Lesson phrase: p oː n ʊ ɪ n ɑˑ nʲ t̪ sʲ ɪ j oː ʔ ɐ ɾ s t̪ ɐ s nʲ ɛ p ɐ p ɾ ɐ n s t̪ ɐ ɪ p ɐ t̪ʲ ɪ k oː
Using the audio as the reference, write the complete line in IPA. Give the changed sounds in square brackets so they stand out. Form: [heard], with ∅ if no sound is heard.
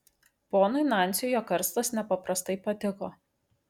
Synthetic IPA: p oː n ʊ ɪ n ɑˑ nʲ t̪ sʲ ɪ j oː [k] ɐ ɾ s t̪ ɐ s nʲ ɛ p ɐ p ɾ ɐ [∅] s t̪ ɐ ɪ p ɐ t̪ʲ ɪ k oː